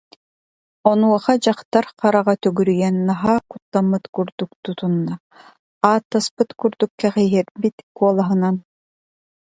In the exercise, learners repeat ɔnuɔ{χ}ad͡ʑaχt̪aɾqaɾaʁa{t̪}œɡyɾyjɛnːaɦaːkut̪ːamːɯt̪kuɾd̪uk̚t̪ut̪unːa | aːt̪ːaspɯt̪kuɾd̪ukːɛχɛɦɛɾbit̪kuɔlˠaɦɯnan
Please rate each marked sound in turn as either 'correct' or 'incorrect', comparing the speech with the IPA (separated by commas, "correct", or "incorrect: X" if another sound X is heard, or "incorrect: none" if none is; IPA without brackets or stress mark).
correct, correct